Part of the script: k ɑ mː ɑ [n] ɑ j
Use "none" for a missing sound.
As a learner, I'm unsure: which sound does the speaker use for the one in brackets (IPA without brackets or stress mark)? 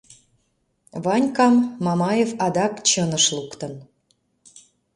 m